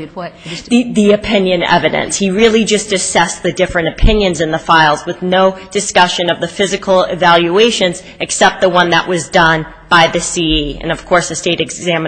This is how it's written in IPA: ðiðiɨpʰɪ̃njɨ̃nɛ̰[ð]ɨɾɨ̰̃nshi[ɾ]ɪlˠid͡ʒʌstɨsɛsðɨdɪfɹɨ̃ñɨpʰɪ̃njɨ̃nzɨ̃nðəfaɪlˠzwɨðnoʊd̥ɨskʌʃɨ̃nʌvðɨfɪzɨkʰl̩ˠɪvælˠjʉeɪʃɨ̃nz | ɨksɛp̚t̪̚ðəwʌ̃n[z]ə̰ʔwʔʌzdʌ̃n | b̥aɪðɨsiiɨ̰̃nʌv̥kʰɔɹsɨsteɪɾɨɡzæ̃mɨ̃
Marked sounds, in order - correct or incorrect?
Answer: incorrect: v, incorrect: ɹ, incorrect: ð

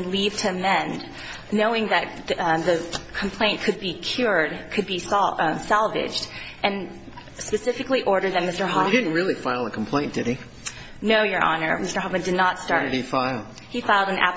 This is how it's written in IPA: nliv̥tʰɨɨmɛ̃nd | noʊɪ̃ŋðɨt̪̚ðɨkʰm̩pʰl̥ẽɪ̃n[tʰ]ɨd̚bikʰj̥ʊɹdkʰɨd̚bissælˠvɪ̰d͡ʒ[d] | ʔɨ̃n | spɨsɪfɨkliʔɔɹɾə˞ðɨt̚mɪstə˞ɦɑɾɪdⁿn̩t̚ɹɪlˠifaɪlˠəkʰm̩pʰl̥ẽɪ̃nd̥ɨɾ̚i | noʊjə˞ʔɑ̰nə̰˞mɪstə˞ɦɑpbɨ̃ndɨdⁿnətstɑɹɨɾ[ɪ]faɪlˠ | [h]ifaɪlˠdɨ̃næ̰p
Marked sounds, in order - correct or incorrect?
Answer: incorrect: kʰ, correct, incorrect: i, correct

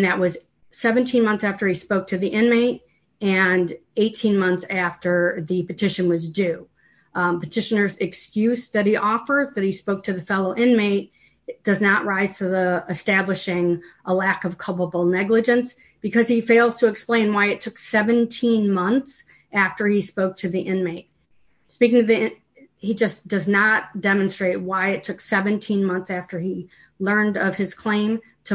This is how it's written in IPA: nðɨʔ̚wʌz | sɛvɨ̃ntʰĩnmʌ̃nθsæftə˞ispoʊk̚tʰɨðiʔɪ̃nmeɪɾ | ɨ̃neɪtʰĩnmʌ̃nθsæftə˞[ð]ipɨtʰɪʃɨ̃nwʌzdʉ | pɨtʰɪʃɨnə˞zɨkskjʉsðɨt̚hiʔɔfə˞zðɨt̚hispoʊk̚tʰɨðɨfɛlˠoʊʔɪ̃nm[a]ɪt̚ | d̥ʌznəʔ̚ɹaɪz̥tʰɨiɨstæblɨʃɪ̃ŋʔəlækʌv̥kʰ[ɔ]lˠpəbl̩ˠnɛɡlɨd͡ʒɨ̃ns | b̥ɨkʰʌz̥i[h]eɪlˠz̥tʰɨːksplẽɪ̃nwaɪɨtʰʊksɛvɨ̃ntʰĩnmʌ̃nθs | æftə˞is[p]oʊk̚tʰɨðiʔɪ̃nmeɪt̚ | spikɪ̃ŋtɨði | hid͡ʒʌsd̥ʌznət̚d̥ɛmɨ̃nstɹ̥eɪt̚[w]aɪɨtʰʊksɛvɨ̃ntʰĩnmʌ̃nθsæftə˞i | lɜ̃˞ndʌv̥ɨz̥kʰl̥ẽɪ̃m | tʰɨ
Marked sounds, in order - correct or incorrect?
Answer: correct, incorrect: e, incorrect: ʌ, incorrect: f, correct, correct

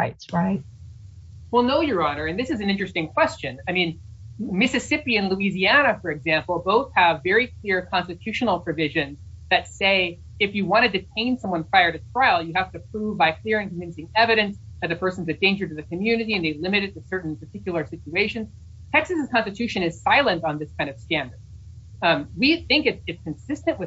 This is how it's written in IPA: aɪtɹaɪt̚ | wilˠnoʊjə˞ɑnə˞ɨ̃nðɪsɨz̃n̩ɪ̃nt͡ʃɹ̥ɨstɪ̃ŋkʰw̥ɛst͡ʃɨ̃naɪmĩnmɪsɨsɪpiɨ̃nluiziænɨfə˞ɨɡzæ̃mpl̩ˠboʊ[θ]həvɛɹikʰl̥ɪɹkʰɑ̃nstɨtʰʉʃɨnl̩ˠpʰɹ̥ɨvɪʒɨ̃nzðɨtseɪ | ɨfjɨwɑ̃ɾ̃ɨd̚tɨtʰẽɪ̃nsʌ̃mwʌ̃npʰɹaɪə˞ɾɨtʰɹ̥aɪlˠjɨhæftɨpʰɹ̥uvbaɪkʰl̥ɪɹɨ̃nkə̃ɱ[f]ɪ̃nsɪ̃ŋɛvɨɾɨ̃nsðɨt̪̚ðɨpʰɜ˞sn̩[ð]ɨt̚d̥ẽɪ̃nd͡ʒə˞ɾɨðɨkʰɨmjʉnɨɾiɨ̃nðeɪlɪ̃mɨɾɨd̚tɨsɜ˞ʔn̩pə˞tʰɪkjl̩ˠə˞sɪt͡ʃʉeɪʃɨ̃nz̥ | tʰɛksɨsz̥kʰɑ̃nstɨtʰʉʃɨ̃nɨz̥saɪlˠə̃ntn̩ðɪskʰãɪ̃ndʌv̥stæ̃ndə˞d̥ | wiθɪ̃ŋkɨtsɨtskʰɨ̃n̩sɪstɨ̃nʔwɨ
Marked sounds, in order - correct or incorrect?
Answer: correct, incorrect: v, incorrect: z

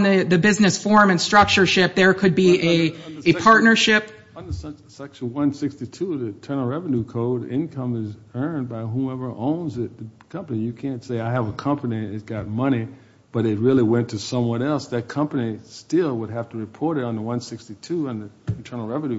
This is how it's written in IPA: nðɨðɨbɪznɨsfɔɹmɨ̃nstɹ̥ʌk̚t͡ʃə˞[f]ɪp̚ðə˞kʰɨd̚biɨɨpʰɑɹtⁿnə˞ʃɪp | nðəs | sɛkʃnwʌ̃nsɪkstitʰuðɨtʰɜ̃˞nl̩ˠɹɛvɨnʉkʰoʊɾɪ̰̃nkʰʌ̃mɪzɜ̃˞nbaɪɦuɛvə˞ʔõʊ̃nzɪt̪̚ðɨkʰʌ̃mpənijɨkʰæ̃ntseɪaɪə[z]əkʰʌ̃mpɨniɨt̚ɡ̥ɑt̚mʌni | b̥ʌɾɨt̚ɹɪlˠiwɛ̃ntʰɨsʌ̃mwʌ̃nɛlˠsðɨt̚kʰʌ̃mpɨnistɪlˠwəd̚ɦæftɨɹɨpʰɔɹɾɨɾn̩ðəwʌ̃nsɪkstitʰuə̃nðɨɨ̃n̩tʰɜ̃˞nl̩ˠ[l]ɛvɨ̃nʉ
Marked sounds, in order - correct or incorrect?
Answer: incorrect: ʃ, incorrect: v, incorrect: ɹ

